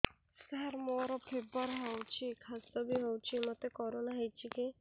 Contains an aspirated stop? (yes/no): yes